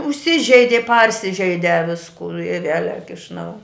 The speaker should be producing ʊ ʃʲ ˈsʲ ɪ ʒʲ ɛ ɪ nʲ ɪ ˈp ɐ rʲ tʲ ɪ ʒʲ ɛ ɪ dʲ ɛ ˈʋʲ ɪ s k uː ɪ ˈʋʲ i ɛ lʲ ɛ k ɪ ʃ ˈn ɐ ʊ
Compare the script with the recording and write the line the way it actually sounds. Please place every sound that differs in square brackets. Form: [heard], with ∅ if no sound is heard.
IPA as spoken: ʊ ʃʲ ˈsʲ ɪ ʒʲ ɛ ɪ [dʲ] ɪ ˈp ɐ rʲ [sʲ] ɪ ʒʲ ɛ ɪ dʲ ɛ ˈʋʲ ɪ s k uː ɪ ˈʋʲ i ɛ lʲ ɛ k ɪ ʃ ˈn ɐ ʊ